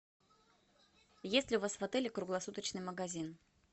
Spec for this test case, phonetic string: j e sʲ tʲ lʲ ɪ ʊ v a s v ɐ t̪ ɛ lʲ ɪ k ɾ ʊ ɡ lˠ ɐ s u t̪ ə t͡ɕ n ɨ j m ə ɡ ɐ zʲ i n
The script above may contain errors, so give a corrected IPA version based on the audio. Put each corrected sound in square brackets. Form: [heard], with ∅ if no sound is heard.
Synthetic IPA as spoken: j e sʲ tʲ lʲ ɪ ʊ v a s v ɐ t̪ ɛ lʲ ɪ k ɾ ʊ ɡ lˠ ɐ s u t̪ ə t͡ɕ n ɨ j m ə ɡ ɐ zʲ i n